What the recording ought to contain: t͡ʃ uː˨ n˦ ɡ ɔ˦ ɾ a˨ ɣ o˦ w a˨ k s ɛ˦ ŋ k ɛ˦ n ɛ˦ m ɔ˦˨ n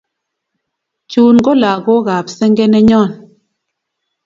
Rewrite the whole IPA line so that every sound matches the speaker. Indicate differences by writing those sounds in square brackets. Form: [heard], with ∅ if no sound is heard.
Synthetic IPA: t͡ʃ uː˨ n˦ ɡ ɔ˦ [l] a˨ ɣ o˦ [ɣ] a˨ [p] s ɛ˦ ŋ [ɡ] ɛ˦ n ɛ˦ [ɲ] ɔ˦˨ n